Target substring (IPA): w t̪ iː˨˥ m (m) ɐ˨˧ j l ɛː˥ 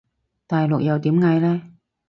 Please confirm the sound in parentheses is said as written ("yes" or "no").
no